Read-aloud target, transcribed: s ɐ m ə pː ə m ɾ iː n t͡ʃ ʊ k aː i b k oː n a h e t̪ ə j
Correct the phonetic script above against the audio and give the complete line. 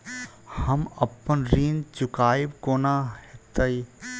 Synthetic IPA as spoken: h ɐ m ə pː ə n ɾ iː n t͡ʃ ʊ k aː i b k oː n a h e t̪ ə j